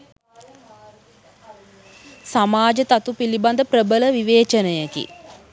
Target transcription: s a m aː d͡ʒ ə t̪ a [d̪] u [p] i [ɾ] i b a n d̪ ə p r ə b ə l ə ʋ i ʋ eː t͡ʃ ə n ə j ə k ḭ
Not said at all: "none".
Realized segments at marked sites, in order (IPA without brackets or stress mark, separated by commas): t̪, p, l